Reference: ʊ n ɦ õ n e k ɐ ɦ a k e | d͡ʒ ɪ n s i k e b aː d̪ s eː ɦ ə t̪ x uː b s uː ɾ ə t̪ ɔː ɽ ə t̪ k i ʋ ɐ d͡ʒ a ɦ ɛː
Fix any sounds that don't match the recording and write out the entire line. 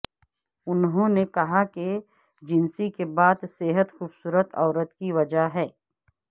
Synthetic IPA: ʊ n ɦ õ n e k ɐ ɦ a k e | d͡ʒ ɪ n s i k e b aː d̪ s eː ɦ ə t̪ x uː b s uː ɾ ə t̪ ɔː ɾ ə t̪ k i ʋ ɐ d͡ʒ a ɦ ɛː